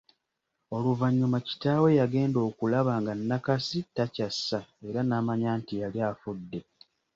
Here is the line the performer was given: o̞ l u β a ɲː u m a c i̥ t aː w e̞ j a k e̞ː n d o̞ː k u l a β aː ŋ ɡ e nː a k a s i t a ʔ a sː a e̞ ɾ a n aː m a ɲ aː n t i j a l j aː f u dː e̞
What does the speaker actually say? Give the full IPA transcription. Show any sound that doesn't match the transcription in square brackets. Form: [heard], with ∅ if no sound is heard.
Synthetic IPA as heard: o̞ l u [v] a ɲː u m a c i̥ t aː w e̞ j a [ɡ] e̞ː n d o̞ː k u l a β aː ŋ ɡ [a] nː a k a s i t a [c] a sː a e̞ ɾ a n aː m a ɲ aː n t i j a l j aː f u dː e̞